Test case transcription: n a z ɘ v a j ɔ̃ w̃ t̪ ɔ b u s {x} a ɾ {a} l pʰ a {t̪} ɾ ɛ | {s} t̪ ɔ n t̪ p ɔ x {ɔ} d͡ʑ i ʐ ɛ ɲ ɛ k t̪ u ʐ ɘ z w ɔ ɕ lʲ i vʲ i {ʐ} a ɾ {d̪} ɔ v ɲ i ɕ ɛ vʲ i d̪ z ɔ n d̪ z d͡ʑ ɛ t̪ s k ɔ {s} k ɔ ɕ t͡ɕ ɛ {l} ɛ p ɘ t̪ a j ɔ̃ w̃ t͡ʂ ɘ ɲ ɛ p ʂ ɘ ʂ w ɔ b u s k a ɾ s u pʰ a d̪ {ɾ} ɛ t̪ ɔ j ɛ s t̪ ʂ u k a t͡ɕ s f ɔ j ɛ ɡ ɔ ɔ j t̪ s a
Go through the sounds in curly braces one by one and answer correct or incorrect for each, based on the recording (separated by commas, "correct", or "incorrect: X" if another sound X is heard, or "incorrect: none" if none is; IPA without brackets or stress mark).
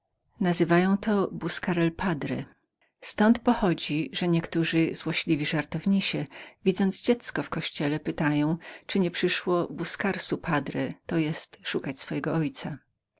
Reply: incorrect: k, incorrect: ɛ, incorrect: d̪, correct, correct, correct, incorrect: t̪, incorrect: f, correct, correct